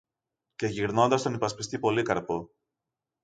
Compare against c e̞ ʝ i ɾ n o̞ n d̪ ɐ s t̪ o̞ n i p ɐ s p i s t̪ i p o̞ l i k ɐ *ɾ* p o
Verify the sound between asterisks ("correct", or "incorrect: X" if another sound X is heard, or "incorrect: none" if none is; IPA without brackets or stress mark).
correct